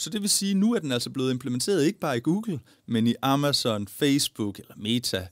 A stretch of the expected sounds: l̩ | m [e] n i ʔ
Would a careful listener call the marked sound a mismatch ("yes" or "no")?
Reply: no